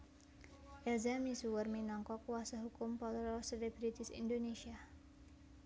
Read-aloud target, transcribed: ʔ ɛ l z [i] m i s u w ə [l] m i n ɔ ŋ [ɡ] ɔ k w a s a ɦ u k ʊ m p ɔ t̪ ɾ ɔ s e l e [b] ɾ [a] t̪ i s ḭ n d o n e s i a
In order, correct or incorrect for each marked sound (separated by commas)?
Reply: incorrect, incorrect, incorrect, correct, incorrect